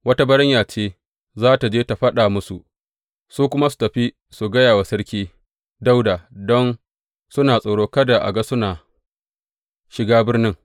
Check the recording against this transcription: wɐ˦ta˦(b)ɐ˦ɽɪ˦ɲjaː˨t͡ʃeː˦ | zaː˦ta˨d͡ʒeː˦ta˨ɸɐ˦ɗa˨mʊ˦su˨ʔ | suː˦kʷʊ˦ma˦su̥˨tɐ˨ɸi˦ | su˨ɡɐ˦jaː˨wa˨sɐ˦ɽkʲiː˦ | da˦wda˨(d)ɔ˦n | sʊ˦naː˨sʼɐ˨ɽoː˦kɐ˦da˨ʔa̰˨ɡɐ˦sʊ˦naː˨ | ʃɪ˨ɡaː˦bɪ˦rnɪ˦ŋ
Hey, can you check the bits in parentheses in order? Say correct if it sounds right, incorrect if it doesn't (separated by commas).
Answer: correct, correct